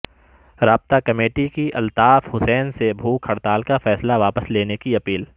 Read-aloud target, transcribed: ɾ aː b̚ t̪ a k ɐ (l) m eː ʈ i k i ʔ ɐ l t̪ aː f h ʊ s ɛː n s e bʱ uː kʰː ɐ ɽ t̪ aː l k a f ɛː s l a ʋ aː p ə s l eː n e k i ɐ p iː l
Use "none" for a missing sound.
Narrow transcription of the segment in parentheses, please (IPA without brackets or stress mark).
none